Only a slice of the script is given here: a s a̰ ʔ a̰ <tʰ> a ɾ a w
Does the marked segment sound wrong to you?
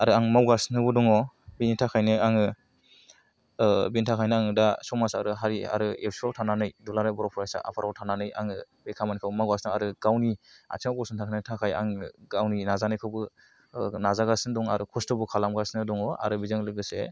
yes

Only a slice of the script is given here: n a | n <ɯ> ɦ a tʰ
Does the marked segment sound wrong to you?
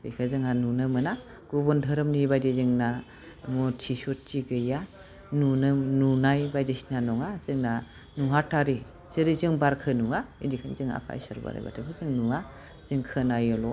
yes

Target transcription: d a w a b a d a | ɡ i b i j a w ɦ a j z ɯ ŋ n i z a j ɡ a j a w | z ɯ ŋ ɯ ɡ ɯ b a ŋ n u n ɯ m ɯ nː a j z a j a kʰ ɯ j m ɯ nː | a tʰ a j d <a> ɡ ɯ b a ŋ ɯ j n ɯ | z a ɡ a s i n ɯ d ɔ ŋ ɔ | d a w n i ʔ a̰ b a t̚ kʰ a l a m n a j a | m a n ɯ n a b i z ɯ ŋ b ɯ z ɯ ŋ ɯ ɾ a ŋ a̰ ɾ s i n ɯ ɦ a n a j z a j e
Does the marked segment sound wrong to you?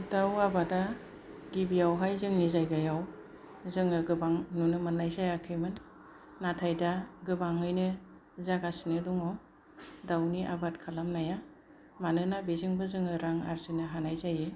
no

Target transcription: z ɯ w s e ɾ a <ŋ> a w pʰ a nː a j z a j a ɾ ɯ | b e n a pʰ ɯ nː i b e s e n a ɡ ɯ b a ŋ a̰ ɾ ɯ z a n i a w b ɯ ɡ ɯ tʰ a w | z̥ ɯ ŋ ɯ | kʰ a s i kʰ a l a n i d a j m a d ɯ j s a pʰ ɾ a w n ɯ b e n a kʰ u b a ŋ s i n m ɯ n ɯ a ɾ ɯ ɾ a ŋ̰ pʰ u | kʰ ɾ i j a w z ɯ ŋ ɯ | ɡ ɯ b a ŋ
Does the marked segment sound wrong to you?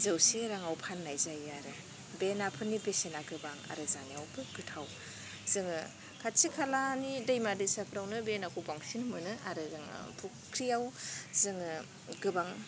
no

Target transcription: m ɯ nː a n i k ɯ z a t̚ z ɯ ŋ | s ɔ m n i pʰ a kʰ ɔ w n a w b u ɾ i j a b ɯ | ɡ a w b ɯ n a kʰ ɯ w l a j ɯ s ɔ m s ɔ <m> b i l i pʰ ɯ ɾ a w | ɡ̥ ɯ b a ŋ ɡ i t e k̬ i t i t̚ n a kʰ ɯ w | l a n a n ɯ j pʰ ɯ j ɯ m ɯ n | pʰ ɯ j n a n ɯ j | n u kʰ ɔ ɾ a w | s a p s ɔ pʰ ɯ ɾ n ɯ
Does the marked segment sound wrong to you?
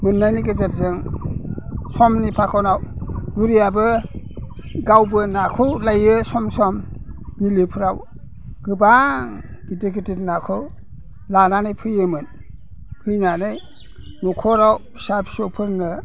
no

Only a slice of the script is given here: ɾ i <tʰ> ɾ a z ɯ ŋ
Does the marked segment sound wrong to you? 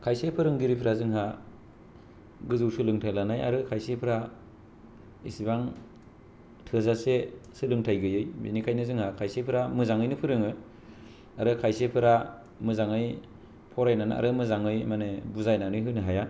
yes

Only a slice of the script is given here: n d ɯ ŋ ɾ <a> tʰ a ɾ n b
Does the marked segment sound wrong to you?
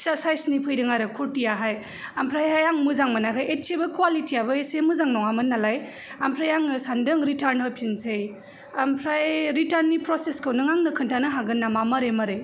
yes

